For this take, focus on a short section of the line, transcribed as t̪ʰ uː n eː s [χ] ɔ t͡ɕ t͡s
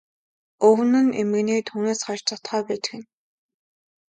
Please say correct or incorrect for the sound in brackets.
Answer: correct